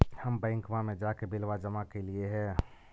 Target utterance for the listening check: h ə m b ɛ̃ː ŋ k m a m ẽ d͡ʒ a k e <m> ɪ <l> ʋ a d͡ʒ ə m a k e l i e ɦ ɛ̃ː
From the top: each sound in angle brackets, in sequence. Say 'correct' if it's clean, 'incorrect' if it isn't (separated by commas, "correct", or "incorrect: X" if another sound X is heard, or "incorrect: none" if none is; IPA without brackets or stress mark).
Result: incorrect: b, correct